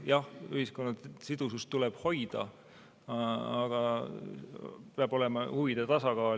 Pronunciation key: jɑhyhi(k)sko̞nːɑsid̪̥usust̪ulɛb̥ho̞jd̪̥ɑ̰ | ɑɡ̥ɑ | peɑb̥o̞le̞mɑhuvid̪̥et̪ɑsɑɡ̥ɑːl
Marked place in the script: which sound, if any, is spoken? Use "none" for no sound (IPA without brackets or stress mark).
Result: none